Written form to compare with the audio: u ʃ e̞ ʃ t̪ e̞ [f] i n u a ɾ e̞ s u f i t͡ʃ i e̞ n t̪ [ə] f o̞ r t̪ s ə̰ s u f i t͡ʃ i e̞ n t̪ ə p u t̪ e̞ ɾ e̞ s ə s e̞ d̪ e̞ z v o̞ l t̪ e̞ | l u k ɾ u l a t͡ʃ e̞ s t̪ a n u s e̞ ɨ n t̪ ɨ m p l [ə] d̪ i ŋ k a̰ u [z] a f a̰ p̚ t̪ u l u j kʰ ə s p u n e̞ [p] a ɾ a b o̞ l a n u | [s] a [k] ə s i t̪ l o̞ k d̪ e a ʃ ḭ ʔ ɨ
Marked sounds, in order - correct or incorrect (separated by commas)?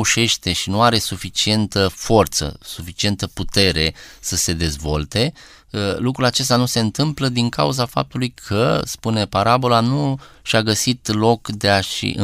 incorrect, correct, correct, correct, correct, incorrect, incorrect